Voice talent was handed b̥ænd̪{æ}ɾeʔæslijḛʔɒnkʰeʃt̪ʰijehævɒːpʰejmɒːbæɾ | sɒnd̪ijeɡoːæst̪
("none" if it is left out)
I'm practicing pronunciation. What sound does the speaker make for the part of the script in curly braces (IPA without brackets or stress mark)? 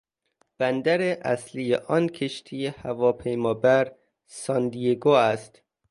æ